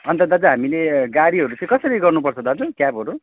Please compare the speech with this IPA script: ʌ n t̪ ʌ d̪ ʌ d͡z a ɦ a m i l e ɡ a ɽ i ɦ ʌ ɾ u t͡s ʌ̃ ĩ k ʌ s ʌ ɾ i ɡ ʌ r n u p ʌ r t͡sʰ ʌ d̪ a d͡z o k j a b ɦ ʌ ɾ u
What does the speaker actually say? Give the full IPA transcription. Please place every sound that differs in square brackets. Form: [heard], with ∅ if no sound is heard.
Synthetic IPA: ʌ n t̪ ʌ d̪ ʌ d͡z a ɦ a m i l e ɡ a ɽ i ɦ ʌ ɾ u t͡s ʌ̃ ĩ k ʌ s ʌ ɾ i ɡ ʌ r n u p ʌ r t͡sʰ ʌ d̪ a d͡z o k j a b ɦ ʌ ɾ u